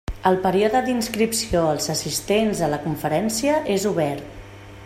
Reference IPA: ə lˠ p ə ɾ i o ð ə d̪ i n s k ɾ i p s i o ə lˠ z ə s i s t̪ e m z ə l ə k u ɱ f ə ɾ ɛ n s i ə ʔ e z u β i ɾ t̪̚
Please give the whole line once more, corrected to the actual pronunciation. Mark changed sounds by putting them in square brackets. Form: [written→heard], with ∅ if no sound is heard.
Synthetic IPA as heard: ə lˠ p ə ɾ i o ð ə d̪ i n s k ɾ i p s i o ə lˠ z ə s i s t̪ e [m→n] z ə l ə k u ɱ f ə ɾ ɛ n s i ə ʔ e z u β [i→ɛ] ɾ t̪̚